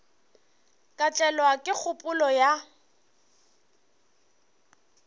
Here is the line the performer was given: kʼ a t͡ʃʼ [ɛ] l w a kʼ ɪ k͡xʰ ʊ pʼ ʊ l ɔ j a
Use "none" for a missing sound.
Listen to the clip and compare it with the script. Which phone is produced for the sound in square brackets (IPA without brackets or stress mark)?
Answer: ɛ